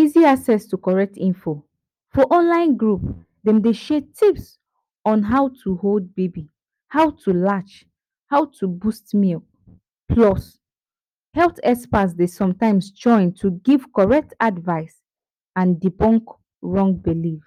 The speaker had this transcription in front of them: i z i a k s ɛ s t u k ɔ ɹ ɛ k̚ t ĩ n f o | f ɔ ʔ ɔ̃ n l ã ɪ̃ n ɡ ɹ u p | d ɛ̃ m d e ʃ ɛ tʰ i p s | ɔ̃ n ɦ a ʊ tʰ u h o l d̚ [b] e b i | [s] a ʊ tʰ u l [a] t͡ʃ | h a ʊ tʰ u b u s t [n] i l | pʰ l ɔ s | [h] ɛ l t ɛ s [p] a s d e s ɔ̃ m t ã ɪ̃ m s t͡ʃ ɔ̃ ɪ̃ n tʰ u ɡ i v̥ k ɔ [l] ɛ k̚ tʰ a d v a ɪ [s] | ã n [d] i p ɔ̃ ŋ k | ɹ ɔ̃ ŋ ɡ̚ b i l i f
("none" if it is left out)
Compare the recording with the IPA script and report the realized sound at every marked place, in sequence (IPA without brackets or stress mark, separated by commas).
b, h, a, m, h, p, ɹ, s, d